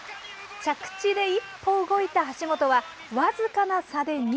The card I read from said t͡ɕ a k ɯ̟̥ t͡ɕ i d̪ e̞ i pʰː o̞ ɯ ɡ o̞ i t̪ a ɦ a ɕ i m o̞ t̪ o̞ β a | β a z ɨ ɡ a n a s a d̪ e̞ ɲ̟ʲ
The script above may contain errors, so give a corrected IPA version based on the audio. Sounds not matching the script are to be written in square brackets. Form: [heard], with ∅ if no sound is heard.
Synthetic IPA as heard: t͡ɕ a k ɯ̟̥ t͡ɕ i d̪ e̞ i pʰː o̞ ɯ ɡ o̞ i t̪ a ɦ a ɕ i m o̞ t̪ o̞ β a | β a z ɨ [k] a n a s a d̪ e̞ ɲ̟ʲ